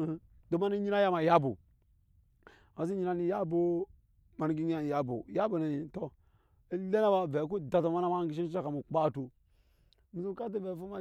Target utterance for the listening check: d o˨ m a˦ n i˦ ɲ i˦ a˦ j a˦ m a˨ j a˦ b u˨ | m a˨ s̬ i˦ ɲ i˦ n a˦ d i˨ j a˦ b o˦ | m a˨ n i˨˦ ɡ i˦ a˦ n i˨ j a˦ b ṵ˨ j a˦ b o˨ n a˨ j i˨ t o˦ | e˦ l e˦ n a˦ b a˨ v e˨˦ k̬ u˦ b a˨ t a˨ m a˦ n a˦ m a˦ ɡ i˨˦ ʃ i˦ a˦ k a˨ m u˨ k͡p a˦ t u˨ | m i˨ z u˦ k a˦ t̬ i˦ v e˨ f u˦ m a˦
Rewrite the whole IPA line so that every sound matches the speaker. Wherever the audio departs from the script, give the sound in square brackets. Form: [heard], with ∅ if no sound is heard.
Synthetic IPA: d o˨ m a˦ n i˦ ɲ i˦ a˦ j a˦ m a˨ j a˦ b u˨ | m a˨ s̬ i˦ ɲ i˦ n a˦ [n] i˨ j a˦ b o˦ | m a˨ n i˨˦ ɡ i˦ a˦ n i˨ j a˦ b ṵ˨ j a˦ b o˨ n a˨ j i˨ t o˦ | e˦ l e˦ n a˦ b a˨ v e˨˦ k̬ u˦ [d] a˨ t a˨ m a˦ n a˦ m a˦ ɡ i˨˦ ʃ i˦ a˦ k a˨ m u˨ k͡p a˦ t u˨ | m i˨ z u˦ k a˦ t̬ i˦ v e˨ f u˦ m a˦